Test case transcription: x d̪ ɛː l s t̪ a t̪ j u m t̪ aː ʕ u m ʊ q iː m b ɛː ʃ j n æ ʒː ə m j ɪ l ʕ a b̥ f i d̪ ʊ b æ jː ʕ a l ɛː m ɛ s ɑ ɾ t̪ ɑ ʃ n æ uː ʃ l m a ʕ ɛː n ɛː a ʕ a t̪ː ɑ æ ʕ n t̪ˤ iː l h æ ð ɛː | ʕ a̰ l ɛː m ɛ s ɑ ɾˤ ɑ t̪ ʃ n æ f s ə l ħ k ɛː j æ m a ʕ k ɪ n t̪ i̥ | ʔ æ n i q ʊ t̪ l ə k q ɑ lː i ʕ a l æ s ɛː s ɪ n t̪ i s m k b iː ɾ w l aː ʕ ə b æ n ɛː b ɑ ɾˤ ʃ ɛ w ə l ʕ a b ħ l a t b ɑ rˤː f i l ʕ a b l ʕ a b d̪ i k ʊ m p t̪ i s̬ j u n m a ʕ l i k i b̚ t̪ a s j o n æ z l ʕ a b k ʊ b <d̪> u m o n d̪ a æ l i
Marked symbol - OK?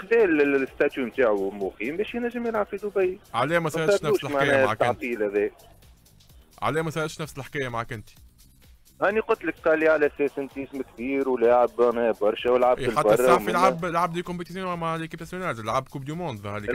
yes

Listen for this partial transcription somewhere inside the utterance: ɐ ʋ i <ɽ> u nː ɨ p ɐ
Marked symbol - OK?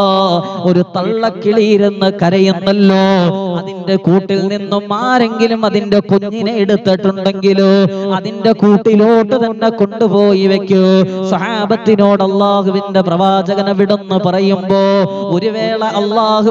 yes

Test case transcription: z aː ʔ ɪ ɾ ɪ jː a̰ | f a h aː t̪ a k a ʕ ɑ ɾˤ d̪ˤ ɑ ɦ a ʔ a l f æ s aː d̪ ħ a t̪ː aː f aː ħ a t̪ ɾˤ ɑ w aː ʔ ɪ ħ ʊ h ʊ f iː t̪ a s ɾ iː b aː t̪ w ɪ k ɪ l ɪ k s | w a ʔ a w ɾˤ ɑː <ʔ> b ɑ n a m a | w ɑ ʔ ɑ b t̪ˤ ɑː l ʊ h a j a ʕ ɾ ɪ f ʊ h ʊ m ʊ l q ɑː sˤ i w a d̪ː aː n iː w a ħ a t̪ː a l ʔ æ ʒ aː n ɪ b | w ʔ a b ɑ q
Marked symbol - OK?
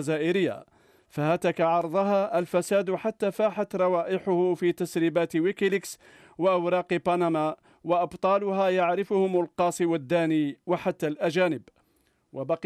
no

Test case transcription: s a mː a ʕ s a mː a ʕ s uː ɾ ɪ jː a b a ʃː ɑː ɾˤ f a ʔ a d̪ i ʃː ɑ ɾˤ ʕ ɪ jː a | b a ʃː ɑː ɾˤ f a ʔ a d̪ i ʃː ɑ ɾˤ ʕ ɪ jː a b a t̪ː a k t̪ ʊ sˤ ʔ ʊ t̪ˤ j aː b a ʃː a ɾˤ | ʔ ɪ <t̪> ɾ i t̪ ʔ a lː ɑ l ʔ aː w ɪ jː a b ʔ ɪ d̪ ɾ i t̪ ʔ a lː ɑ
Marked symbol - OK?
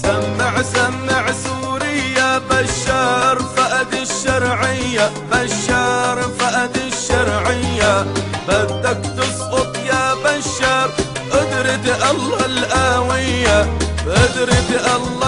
no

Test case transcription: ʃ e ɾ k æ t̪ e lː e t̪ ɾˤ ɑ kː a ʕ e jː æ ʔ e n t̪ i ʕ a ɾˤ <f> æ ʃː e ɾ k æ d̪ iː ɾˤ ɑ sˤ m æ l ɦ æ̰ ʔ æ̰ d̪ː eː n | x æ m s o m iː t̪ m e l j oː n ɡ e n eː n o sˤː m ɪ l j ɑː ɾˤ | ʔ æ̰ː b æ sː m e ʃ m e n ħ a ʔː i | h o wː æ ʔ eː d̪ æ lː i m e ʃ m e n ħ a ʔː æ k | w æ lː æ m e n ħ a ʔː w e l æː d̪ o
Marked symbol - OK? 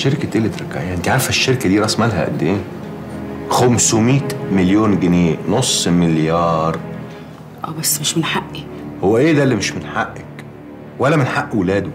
yes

